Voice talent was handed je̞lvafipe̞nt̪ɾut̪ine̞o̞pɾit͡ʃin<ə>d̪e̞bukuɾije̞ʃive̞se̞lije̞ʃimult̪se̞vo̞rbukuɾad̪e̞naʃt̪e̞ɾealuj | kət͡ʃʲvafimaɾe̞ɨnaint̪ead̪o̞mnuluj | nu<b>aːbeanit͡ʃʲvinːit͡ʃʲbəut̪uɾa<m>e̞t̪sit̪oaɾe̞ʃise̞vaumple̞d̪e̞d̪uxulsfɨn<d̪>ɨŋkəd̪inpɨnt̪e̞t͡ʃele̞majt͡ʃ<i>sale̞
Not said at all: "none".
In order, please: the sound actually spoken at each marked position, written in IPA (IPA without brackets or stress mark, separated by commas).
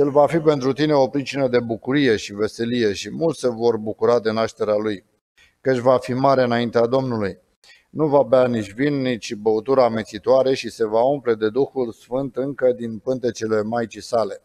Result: ə, v, m, t̪, i